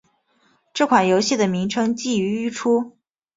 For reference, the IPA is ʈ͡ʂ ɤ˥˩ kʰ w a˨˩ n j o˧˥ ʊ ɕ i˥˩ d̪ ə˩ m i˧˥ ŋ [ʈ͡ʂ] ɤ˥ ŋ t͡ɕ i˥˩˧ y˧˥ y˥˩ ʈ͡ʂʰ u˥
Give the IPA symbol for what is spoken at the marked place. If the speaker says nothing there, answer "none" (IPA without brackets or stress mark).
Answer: ʈ͡ʂʰ